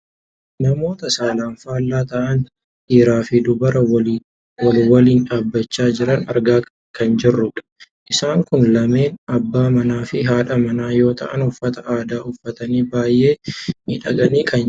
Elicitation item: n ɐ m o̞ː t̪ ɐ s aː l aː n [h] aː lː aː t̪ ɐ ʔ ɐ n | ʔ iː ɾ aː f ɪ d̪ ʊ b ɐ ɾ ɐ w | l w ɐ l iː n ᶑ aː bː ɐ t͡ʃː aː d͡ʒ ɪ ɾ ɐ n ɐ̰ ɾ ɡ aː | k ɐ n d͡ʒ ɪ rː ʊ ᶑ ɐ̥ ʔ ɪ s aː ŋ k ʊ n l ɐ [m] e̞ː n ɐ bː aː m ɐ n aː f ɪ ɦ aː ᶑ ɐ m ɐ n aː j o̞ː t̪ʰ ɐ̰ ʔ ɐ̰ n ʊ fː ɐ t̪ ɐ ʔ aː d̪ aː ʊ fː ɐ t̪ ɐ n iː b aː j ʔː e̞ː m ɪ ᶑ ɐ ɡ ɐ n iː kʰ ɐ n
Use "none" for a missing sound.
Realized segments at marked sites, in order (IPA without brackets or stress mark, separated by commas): f, m